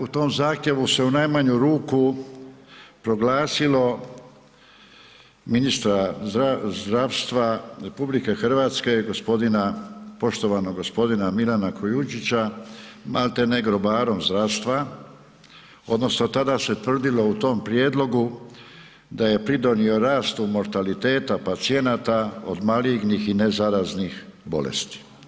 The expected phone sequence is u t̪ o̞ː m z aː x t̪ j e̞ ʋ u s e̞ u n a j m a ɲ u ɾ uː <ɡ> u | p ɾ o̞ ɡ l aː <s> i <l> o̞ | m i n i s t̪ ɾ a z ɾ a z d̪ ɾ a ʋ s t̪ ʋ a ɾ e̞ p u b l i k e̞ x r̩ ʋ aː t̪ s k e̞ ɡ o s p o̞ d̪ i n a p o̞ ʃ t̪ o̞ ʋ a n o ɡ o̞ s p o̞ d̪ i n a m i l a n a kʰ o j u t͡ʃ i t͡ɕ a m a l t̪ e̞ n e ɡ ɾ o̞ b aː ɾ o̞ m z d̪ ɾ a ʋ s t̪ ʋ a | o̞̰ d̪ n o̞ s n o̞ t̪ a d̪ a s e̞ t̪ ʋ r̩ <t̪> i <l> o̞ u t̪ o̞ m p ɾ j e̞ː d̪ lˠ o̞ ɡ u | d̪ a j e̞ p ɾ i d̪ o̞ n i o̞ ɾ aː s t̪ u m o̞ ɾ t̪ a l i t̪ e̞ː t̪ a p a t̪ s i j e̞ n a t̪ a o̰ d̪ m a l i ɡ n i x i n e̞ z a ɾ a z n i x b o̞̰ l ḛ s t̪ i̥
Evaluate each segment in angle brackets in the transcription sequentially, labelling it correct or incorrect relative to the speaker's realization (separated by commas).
incorrect, correct, correct, incorrect, correct